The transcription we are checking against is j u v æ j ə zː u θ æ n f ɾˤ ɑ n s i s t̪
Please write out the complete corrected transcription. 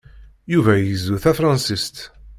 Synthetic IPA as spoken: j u v æ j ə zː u θ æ f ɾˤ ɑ n s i s t̪